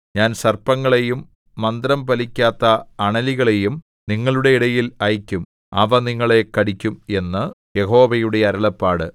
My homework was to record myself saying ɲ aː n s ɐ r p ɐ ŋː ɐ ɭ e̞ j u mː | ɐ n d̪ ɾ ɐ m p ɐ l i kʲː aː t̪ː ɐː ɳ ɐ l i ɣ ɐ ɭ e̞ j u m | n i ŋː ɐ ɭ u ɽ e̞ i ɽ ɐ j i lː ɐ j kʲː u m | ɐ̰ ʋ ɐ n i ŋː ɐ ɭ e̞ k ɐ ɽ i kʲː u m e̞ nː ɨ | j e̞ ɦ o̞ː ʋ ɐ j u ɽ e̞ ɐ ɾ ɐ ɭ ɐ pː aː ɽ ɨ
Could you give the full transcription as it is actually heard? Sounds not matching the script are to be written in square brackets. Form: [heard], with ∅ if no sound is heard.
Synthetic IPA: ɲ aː n s ɐ r p ɐ ŋː ɐ ɭ e̞ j u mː | ɐ n d̪ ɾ ɐ m p ɐ l i kʲː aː t̪ː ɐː ɳ ɐ l i ɣ ɐ ɭ e̞ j u m | n i ŋː ɐ ɭ u ɽ e̞ i ɽ ɐ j i [l] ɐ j kʲː u m | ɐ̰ ʋ ɐ n i ŋː ɐ ɭ e̞ k ɐ ɽ i kʲː u m e̞ nː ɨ | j e̞ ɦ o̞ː ʋ ɐ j u ɽ e̞ ɐ ɾ ɐ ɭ ɐ pː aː ɽ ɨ